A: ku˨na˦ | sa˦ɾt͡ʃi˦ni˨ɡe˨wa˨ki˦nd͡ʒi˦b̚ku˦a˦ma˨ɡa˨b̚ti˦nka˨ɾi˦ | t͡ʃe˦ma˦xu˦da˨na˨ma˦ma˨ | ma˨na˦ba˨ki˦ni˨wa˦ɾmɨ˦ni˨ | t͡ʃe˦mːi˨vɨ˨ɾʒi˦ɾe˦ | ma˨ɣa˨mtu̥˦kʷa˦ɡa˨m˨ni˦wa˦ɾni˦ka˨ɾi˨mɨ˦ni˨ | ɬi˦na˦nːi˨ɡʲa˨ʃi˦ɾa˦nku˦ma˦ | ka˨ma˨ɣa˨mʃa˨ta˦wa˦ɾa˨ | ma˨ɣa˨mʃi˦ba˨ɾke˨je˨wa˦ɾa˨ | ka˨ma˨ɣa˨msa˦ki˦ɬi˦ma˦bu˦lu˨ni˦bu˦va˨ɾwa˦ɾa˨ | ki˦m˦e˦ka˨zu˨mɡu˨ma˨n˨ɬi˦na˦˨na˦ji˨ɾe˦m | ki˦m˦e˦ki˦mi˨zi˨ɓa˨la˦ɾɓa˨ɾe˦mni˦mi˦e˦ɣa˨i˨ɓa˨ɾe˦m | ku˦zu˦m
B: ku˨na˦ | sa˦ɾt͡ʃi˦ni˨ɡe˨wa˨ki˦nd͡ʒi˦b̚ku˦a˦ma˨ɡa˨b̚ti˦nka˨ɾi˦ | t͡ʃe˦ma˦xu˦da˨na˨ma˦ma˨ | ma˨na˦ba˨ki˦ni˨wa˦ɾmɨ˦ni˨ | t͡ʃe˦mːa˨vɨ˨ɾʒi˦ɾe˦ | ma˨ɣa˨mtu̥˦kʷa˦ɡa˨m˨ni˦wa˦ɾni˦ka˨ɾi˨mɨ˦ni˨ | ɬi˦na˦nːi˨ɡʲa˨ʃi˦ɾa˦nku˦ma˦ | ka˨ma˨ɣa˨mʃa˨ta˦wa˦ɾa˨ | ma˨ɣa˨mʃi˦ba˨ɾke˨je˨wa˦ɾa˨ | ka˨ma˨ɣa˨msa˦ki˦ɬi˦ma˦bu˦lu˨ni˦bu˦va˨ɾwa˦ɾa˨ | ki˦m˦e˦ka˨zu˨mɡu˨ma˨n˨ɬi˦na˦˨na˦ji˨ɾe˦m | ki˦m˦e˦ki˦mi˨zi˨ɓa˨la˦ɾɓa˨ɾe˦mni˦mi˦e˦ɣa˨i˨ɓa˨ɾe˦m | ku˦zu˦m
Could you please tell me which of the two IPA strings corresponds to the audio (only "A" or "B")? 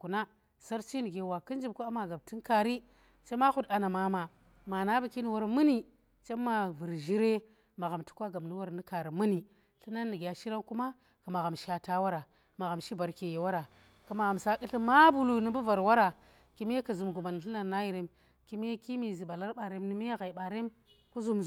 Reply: B